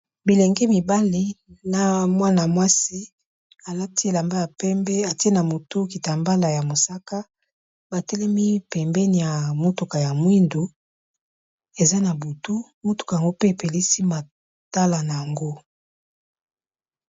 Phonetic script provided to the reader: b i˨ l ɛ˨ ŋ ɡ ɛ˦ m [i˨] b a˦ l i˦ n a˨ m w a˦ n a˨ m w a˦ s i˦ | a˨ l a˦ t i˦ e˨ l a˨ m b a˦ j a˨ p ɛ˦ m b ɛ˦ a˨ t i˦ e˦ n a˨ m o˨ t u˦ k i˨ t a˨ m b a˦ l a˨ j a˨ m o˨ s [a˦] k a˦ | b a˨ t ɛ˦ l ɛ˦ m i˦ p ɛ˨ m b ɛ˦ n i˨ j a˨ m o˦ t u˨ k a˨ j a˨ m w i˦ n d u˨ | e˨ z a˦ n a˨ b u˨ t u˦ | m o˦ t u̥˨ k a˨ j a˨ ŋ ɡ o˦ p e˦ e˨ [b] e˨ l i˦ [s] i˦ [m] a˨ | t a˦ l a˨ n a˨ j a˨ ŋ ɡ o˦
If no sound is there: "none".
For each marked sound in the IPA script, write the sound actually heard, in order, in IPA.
i˨, a˦, p, s, m

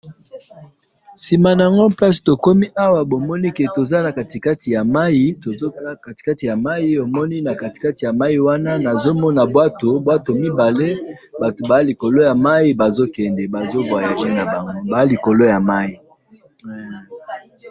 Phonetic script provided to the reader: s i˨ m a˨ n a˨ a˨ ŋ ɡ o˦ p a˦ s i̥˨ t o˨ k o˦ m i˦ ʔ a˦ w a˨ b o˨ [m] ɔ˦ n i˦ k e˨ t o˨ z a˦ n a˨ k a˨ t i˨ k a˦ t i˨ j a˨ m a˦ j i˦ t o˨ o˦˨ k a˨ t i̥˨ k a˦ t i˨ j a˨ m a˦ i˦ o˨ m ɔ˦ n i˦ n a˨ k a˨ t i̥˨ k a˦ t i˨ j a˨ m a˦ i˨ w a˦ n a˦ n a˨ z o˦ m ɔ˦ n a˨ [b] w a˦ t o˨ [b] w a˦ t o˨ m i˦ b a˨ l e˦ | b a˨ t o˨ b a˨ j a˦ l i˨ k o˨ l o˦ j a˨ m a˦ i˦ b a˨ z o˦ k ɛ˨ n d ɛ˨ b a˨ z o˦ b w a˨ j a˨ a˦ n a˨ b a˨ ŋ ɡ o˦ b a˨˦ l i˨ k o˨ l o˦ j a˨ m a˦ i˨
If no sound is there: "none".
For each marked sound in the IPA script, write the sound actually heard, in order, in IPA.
m, b, b

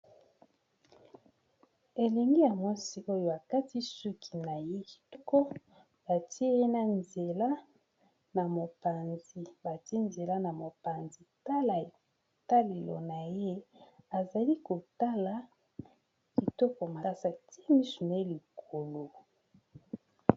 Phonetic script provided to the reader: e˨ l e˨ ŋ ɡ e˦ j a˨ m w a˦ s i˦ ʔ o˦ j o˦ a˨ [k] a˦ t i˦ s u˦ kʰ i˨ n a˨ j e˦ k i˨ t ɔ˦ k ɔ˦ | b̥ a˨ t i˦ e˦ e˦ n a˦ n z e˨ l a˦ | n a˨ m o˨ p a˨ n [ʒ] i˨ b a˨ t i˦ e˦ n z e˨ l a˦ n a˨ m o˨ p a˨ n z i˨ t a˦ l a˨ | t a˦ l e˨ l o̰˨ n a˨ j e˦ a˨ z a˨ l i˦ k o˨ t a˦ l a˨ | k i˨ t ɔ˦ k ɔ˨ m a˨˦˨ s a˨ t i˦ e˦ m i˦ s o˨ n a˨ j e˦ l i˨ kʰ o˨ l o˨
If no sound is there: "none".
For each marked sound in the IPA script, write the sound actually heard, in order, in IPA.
k, z

